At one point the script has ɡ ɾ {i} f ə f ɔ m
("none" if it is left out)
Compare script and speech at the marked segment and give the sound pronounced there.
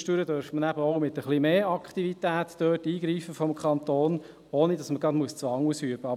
iː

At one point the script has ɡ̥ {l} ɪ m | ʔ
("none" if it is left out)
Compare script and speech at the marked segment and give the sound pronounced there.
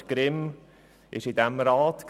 ɾ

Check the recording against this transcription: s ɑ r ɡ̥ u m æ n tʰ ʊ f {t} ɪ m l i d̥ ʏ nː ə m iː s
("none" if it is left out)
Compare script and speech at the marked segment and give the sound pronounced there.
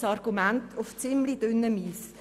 t͡s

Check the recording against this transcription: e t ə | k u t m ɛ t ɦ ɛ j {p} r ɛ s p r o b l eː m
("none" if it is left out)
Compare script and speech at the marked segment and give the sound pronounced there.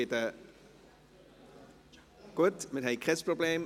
k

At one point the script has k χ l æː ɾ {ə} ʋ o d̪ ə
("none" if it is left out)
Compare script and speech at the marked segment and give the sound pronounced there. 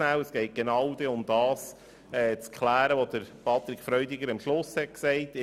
ə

